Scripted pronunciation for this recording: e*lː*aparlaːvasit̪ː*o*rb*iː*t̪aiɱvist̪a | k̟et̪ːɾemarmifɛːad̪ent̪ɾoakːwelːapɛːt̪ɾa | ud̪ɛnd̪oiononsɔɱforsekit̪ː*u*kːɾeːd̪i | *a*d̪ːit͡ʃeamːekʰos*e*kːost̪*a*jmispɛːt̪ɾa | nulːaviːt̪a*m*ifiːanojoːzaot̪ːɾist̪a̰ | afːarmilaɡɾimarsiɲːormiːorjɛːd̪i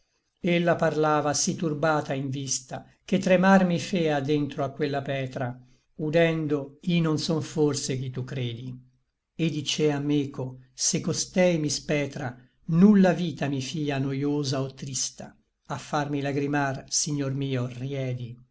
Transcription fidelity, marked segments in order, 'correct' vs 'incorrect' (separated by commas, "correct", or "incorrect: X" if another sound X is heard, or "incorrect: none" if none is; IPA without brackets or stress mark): correct, incorrect: u, incorrect: aː, correct, incorrect: e, correct, incorrect: ɛ, correct